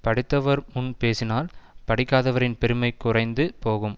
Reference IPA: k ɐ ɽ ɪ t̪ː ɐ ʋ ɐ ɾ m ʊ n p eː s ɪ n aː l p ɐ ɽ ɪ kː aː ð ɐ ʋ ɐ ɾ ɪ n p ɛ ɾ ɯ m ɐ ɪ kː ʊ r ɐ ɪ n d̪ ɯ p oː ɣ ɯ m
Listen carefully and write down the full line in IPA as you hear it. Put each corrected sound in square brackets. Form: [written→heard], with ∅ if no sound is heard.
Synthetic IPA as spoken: [k→p] ɐ ɽ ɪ t̪ː ɐ ʋ ɐ ɾ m ʊ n p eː s ɪ n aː l p ɐ ɽ ɪ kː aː ð ɐ ʋ ɐ ɾ ɪ n p ɛ ɾ ɯ m ɐ ɪ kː ʊ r ɐ ɪ n d̪ ɯ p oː ɣ ɯ m

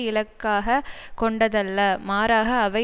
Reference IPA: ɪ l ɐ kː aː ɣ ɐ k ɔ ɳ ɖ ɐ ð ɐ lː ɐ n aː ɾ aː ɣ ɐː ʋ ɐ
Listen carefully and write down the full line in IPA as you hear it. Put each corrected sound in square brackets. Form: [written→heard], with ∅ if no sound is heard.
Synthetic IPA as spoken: ɪ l ɐ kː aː ɣ ɐ k ɔ ɳ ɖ ɐ ð ɐ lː ɐ [n→m] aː ɾ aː ɣ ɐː ʋ ɐ

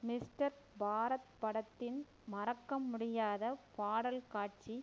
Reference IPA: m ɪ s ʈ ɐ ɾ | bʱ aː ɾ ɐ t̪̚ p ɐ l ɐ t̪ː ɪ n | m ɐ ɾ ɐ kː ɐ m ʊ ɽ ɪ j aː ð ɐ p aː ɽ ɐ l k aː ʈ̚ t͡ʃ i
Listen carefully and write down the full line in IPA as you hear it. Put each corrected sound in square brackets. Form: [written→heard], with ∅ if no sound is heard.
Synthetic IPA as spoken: m ɪ s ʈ ɐ ɾ | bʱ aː ɾ ɐ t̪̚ p ɐ [l→ɽ] ɐ t̪ː ɪ n | m ɐ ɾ ɐ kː ɐ m ʊ ɽ ɪ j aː ð ɐ p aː ɽ ɐ l k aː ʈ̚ t͡ʃ i

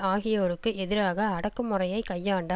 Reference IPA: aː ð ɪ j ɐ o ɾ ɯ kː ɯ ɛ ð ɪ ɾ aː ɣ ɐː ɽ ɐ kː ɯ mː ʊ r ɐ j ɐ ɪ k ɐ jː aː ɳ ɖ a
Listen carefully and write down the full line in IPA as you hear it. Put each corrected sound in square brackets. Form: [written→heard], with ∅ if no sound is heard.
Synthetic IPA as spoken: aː [ð→ɣ] ɪ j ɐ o ɾ ɯ kː ɯ ɛ ð ɪ ɾ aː ɣ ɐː ɽ ɐ kː ɯ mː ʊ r ɐ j ɐ ɪ k ɐ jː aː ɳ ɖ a

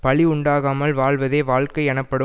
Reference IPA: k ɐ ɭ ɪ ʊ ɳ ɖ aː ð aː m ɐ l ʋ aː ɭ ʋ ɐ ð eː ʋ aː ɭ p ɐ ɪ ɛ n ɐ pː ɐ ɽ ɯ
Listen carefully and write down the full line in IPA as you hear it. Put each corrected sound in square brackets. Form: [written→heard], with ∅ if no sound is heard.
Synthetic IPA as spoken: [k→p] ɐ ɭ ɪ ʊ ɳ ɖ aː [ð→ɣ] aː m ɐ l ʋ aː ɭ ʋ ɐ ð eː ʋ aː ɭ [p→k] ɐ ɪ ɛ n ɐ pː ɐ ɽ ɯ

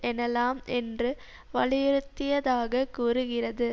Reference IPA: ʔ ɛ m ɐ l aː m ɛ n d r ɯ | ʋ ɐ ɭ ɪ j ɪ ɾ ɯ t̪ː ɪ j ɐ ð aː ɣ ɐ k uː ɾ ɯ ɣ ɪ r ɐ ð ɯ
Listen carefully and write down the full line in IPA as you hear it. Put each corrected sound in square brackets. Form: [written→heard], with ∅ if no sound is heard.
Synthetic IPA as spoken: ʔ ɛ [m→n] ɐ l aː m ɛ n d r ɯ | ʋ ɐ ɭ ɪ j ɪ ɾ ɯ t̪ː ɪ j ɐ ð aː ɣ ɐ k uː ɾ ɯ ɣ ɪ r ɐ ð ɯ

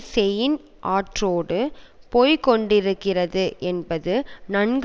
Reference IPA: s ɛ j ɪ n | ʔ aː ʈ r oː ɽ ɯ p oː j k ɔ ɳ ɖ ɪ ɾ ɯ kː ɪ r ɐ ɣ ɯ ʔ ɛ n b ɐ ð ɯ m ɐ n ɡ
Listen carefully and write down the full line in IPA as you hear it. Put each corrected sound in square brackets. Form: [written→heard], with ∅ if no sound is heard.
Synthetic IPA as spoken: s ɛ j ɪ n | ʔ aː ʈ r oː ɽ ɯ p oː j k ɔ ɳ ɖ ɪ ɾ ɯ kː ɪ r ɐ [ɣ→ð] ɯ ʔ ɛ n b ɐ ð ɯ [m→n] ɐ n ɡ

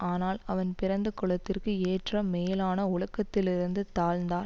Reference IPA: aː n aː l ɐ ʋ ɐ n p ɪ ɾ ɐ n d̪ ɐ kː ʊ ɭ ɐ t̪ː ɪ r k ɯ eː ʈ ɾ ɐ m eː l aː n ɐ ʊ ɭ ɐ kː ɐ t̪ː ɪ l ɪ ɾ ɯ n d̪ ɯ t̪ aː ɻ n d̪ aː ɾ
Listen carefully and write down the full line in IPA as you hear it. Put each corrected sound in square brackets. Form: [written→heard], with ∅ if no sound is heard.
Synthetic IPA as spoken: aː n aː l ɐ ʋ ɐ n p ɪ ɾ ɐ n d̪ ɐ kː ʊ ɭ ɐ t̪ː ɪ r k ɯ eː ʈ [ɾ→r] ɐ m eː l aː n ɐ ʊ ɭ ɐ kː ɐ t̪ː ɪ l ɪ ɾ ɯ n d̪ ɯ t̪ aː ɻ n d̪ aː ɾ

